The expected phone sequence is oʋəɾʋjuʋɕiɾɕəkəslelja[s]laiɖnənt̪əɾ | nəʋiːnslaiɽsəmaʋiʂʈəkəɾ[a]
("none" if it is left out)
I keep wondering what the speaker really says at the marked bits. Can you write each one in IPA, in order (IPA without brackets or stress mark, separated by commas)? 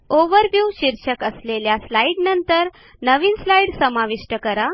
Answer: s, a